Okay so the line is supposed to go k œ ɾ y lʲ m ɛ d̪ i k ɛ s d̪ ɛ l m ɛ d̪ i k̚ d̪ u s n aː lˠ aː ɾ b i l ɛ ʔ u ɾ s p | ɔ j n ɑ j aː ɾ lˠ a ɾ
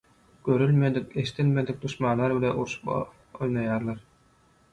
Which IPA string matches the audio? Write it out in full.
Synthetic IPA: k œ ɾ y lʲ m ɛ d̪ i k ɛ s t̪ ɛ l m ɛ d̪ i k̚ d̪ u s m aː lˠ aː ɾ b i l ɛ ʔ u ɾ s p | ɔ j n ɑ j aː ɾ lˠ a ɾ